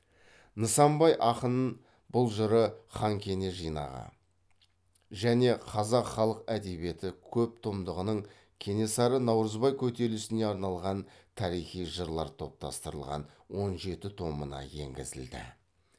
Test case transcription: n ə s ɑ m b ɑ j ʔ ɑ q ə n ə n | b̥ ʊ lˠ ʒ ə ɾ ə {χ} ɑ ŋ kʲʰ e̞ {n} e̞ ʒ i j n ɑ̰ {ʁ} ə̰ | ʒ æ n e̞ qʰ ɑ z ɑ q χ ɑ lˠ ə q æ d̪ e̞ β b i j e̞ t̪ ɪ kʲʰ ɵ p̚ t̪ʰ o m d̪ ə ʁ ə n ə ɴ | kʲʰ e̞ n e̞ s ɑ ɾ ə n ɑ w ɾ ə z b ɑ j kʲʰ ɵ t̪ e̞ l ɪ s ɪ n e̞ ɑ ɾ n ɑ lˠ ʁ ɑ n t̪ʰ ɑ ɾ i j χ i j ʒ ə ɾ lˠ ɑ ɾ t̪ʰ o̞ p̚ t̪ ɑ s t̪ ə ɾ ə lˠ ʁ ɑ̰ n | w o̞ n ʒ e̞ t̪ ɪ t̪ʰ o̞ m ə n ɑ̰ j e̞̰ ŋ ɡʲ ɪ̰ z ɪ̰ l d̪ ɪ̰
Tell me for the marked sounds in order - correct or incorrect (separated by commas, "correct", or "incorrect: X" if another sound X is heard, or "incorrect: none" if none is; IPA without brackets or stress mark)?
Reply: correct, correct, correct